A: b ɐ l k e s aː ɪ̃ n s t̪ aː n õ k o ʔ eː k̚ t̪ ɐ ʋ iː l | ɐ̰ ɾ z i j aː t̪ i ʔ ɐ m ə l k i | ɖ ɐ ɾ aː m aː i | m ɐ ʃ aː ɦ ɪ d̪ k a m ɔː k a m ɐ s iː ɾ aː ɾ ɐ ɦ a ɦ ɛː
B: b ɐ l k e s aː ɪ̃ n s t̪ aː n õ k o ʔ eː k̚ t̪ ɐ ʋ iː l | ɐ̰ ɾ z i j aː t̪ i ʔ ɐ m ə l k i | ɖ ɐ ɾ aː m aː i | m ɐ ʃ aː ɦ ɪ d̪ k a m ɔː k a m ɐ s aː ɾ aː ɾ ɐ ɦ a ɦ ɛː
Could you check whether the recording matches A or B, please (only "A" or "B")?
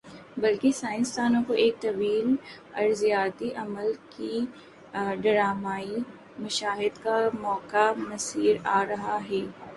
A